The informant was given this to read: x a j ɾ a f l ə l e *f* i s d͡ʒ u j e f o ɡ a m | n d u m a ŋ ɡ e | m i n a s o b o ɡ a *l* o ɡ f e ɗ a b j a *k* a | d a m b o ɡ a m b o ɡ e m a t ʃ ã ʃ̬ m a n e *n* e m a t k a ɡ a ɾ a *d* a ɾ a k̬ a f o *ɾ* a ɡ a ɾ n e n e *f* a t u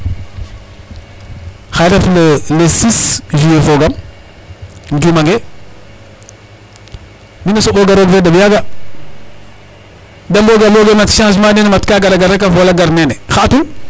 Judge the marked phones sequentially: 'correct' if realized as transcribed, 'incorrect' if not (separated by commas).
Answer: incorrect, incorrect, incorrect, correct, incorrect, incorrect, incorrect